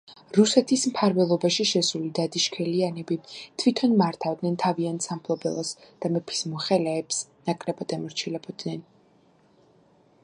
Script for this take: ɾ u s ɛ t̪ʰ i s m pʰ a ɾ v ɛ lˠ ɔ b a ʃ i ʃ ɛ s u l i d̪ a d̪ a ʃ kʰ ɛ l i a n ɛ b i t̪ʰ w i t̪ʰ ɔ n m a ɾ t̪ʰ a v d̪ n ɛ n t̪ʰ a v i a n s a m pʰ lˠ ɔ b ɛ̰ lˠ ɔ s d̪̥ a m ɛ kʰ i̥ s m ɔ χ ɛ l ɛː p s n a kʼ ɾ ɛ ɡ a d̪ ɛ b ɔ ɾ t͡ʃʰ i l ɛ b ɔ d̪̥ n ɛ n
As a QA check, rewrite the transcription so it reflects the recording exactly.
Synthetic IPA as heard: ɾ u s ɛ t̪ʰ i s m pʰ a ɾ v ɛ lˠ ɔ b a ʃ i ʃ ɛ s u l i d̪ a d̪ i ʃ kʰ ɛ l i a n ɛ b i t̪ʰ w i t̪ʰ ɔ n m a ɾ t̪ʰ a v d̪ n ɛ n t̪ʰ a v i a n s a m pʰ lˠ ɔ b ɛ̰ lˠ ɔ s d̪̥ a m ɛ pʰ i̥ s m ɔ χ ɛ l ɛː p s n a kʼ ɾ ɛ b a d̪ ɛ m ɔ ɾ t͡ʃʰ i l ɛ b ɔ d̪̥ n ɛ n